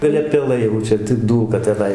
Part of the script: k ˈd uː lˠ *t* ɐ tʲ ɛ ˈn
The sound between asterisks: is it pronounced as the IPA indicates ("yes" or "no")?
no